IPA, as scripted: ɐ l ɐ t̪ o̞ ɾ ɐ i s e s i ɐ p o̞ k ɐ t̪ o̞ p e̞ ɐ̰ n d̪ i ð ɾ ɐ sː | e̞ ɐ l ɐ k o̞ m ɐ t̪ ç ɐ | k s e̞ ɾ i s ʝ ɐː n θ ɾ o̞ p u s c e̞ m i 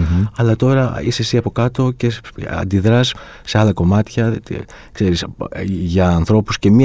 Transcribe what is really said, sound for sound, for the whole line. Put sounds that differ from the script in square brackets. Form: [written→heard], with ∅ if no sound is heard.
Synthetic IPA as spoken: ɐ l ɐ t̪ o̞ ɾ ɐ i s e s i ɐ p o̞ k ɐ t̪ o̞ [p→c] e̞ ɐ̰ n d̪ i ð ɾ ɐ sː | e̞ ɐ l ɐ k o̞ m ɐ t̪ ç ɐ | k s e̞ ɾ i s ʝ ɐː n θ ɾ o̞ p u s c e̞ m i